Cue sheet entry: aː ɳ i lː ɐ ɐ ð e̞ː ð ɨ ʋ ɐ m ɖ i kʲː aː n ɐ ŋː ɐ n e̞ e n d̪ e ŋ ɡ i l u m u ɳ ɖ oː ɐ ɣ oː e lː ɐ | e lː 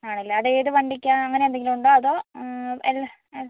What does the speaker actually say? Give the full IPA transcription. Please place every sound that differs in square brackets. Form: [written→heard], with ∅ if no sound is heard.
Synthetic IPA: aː ɳ i lː ɐ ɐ ð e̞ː ð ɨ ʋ ɐ [m→ɳ] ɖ i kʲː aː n ɐ ŋː ɐ n e̞ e n d̪ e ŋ ɡ i l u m u ɳ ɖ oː ɐ [ɣ→ð] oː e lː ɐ | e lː

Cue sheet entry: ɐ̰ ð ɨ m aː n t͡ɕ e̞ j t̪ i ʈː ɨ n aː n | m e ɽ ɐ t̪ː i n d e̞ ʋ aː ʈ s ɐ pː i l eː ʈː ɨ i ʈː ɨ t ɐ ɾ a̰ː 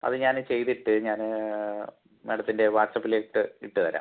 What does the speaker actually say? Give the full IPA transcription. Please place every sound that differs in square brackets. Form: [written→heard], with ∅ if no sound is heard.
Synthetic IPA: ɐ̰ ð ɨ [m→ɲ] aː n t͡ɕ e̞ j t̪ i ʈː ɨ [n→ɲ] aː n | m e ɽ ɐ t̪ː i n d e̞ ʋ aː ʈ s ɐ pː i l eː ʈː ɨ i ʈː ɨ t ɐ ɾ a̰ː

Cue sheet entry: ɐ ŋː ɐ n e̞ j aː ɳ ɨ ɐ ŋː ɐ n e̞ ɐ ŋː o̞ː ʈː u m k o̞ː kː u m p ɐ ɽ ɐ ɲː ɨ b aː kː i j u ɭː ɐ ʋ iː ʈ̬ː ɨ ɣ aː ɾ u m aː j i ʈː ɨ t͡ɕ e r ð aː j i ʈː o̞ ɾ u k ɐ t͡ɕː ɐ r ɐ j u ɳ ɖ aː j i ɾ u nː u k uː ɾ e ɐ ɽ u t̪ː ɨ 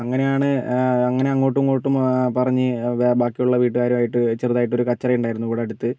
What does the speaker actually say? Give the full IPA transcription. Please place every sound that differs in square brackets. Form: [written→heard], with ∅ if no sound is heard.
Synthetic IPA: ɐ ŋː ɐ n e̞ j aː ɳ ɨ ɐ ŋː ɐ n e̞ ɐ ŋː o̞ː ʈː u m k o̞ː [kː→ʈː] u m p ɐ [ɽ→r] ɐ ɲː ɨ b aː kː i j u ɭː ɐ ʋ iː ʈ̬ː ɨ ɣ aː ɾ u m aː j i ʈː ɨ t͡ɕ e r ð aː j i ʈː o̞ ɾ u k ɐ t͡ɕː ɐ r ɐ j u ɳ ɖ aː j i ɾ u nː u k uː [ɾ→ɽ] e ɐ ɽ u t̪ː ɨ

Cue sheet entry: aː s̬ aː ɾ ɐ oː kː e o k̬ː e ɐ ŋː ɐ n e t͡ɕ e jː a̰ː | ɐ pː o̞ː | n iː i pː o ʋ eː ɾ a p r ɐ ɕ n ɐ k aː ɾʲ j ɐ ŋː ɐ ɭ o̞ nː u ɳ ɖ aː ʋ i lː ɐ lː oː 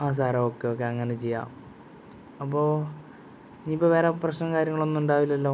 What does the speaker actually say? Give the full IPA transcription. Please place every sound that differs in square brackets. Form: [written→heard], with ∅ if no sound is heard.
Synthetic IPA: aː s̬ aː ɾ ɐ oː kː e o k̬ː e ɐ ŋː ɐ n e t͡ɕ e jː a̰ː | ɐ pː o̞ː | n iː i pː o ʋ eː ɾ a p r ɐ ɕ n ɐ k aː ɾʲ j ɐ ŋː ɐ ɭ o̞ nː u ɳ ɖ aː ʋ i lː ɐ lː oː

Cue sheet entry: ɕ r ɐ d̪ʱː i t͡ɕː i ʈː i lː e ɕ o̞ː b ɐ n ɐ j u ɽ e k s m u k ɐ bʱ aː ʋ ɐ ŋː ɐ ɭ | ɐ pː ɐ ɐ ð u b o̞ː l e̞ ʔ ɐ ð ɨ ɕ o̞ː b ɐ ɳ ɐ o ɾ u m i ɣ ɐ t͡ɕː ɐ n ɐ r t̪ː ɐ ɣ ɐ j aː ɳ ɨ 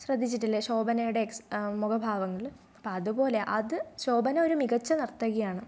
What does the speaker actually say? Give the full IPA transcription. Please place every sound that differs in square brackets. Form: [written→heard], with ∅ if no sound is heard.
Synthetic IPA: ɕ r ɐ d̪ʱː i t͡ɕː i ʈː i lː e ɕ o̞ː b ɐ n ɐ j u ɽ e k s m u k ɐ bʱ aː ʋ ɐ ŋː ɐ ɭ | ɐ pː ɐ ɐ ð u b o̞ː l e̞ ʔ ɐ ð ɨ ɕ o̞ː b ɐ [ɳ→n] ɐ o ɾ u m i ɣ ɐ t͡ɕː ɐ n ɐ r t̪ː ɐ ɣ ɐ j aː ɳ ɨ

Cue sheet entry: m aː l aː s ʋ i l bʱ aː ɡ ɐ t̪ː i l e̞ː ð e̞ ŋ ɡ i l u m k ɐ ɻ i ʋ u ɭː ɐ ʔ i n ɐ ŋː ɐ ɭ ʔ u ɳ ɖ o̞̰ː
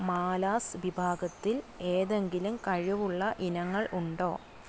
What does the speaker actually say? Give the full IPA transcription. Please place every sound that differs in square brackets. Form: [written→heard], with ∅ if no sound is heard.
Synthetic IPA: m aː l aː s ʋ i [l→∅] bʱ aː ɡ ɐ t̪ː i l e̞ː ð e̞ ŋ ɡ i l u m k ɐ ɻ i ʋ u ɭː ɐ ʔ i n ɐ ŋː ɐ ɭ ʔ u ɳ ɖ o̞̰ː

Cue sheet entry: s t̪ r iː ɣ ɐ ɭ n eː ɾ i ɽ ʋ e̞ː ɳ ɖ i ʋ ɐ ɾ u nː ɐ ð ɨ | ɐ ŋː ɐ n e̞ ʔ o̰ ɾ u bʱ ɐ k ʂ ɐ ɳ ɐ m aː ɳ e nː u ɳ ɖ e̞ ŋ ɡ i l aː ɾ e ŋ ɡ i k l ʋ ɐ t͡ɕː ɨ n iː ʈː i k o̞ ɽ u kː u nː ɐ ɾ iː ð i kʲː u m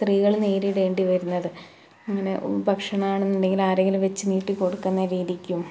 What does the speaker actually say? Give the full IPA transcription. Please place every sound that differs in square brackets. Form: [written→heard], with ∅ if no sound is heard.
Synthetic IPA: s t̪ r iː ɣ ɐ ɭ n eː ɾ i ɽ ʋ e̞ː ɳ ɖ i ʋ ɐ ɾ u nː ɐ ð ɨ | ɐ ŋː ɐ n e̞ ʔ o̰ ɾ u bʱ ɐ k ʂ ɐ ɳ ɐ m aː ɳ e nː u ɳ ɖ e̞ ŋ ɡ i l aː ɾ e ŋ ɡ i [k→∅] l ʋ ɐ t͡ɕː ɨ n iː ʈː i k o̞ ɽ u kː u nː ɐ ɾ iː ð i kʲː u m

